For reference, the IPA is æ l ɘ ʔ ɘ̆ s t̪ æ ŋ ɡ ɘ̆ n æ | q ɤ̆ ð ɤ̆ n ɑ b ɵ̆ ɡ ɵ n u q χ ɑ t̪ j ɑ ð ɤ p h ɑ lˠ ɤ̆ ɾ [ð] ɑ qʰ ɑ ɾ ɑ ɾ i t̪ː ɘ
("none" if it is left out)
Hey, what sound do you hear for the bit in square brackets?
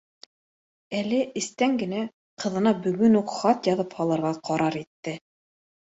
ʁ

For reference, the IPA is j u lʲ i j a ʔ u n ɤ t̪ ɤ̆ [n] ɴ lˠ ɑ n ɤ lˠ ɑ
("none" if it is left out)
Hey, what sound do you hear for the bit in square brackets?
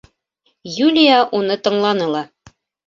none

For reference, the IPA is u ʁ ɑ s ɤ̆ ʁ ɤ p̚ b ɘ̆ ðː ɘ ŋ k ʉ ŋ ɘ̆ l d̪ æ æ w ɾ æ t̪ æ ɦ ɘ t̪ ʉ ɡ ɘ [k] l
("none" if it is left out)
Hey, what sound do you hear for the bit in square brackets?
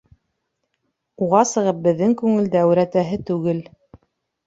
none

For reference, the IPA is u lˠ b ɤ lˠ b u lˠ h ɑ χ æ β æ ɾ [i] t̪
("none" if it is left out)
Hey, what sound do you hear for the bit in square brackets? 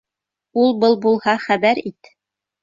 i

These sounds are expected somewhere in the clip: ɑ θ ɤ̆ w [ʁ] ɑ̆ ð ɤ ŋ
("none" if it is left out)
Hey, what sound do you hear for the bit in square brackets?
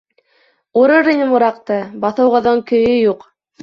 ʁ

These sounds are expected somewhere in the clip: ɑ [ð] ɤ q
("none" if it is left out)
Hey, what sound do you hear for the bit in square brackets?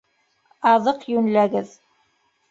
ð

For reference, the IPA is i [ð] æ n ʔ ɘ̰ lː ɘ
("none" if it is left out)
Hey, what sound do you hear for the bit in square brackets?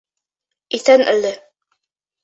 θ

